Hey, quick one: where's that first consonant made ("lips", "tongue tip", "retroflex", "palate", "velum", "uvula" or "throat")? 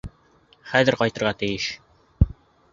uvula